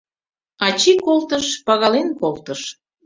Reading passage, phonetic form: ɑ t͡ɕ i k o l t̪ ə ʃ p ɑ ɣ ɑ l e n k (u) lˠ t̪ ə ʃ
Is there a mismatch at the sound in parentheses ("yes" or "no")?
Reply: yes